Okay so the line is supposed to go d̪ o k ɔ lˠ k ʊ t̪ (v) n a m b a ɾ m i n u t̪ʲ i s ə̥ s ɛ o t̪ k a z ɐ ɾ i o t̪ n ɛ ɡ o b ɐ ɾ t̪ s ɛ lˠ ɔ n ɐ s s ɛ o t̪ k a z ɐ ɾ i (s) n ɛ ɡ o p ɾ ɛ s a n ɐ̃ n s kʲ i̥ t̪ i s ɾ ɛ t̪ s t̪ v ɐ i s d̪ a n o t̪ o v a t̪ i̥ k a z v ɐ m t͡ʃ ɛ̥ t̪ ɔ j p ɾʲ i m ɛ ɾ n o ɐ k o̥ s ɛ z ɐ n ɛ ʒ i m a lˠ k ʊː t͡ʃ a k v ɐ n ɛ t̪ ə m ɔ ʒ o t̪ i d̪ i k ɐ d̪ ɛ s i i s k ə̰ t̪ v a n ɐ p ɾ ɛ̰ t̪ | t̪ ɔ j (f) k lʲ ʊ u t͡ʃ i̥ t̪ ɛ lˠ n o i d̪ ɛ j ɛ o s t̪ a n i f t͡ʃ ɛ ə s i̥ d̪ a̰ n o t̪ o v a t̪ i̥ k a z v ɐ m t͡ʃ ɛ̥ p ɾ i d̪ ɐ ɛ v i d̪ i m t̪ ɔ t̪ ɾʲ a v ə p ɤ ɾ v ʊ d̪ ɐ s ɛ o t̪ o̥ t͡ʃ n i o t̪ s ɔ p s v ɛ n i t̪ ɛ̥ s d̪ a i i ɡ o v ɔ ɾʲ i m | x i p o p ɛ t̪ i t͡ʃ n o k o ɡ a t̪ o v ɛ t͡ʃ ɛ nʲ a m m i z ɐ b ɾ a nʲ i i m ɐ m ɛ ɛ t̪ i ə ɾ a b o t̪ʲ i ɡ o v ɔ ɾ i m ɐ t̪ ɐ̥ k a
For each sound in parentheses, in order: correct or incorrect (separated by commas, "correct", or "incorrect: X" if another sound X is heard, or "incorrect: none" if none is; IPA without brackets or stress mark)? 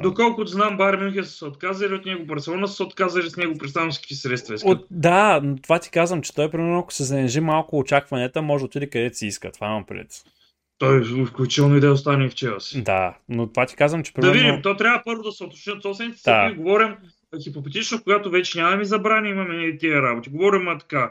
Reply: incorrect: z, correct, correct